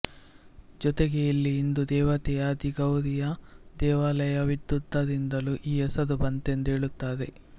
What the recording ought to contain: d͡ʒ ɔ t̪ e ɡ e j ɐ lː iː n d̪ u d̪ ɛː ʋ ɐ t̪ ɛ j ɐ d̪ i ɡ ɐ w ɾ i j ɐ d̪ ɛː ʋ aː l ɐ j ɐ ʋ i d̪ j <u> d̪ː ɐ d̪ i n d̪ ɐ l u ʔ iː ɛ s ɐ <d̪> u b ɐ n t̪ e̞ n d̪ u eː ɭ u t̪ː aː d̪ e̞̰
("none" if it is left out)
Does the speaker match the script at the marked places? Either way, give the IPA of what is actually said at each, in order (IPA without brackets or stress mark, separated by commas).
u, d̪